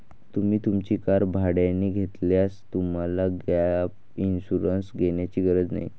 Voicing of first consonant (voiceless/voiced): voiceless